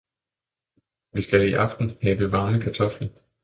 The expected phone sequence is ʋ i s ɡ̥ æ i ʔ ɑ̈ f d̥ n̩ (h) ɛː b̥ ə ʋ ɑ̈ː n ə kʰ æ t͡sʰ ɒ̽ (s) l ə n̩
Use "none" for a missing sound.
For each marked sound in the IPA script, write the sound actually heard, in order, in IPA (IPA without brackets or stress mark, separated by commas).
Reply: h, f